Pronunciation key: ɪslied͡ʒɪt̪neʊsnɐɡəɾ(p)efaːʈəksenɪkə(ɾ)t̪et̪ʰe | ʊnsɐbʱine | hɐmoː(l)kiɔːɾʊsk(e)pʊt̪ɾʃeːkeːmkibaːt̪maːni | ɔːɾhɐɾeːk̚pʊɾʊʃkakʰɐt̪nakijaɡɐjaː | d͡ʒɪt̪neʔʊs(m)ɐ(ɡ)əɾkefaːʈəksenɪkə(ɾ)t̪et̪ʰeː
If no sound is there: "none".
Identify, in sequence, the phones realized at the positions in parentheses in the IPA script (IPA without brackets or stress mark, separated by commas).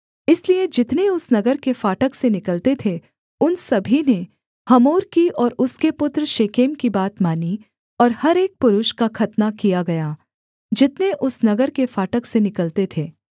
k, l, ɾ, e, n, ɡ, l